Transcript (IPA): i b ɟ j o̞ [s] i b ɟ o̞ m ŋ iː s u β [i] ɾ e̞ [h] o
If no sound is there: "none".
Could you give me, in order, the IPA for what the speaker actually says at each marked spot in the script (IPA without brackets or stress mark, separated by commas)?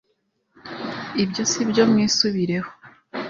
s, i, h